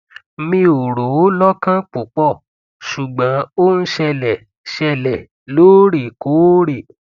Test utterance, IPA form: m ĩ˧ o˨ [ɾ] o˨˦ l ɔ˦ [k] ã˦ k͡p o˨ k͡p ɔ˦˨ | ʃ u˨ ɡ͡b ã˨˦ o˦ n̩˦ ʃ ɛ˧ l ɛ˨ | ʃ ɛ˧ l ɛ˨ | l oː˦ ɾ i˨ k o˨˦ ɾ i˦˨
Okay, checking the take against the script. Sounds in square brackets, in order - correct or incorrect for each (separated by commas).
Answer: correct, correct